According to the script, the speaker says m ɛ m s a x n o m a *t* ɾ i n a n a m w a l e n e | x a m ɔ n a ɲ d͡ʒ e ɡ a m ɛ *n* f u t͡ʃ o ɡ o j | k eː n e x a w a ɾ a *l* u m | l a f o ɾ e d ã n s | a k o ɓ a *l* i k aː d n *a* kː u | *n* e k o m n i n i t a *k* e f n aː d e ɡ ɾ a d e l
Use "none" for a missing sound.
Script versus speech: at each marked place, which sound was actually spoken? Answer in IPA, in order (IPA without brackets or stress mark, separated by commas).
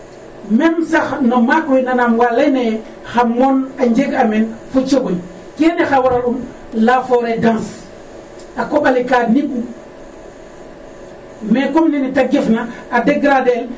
k, n, l, l, i, m, ɡ